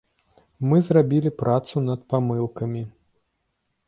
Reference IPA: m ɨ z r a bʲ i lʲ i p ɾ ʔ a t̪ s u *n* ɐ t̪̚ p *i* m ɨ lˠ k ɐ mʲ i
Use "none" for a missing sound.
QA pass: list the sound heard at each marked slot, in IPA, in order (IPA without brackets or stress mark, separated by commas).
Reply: n, a